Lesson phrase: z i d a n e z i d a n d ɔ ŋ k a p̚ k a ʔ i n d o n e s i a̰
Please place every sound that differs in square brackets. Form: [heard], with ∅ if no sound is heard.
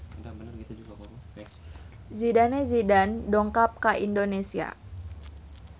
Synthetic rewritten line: z i d a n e z i d a n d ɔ ŋ k a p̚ k a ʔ i n d o n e s i a̰